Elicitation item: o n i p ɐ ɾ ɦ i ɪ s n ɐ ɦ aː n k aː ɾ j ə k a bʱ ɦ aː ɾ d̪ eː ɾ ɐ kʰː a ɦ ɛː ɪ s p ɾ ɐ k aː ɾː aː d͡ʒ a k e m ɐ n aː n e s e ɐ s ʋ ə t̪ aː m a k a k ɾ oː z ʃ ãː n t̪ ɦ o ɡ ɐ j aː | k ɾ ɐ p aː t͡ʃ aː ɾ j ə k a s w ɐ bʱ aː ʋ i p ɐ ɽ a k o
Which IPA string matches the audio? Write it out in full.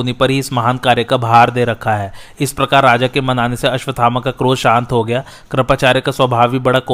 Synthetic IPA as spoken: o n i p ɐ ɾ ɦ i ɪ s m ɐ ɦ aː n k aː ɾ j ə k a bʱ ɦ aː ɾ d̪ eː ɾ ɐ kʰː a ɦ ɛː ɪ s p ɾ ɐ k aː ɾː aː d͡ʒ a k e m ɐ n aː n e s e ɐ ʃ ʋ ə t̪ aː m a k a k ɾ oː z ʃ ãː n t̪ ɦ o ɡ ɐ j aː | k ɾ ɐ p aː t͡ʃ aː ɾ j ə k a s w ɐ bʱ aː ʋ i b ɐ ɽ a k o